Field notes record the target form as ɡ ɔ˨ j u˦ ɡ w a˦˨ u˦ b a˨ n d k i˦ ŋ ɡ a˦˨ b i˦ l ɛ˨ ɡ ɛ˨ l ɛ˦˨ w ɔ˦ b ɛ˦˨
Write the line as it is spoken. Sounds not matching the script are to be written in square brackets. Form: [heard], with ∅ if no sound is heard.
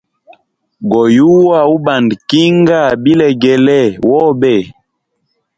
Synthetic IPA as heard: ɡ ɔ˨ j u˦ [∅] w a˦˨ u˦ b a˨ n d k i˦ ŋ ɡ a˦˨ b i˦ l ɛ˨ ɡ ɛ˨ l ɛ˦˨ w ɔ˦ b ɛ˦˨